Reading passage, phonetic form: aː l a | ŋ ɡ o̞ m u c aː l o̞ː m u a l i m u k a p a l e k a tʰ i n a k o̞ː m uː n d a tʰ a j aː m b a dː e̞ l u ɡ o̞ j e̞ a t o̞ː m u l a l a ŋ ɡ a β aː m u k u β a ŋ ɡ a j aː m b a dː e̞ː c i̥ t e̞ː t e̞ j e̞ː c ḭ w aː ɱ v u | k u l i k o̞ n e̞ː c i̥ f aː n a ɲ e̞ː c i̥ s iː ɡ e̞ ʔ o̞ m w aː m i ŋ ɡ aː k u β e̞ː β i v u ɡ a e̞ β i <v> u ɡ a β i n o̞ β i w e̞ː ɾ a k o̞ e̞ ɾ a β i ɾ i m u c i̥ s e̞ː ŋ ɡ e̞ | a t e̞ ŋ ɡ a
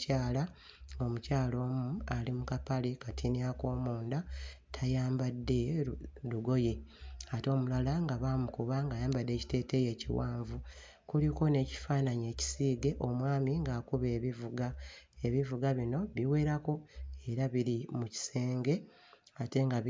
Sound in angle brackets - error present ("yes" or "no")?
no